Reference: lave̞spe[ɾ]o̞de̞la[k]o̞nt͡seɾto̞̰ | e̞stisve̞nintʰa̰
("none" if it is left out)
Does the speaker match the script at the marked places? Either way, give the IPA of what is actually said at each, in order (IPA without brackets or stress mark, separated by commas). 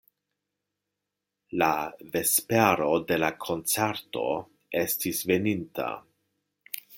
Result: ɾ, kʰ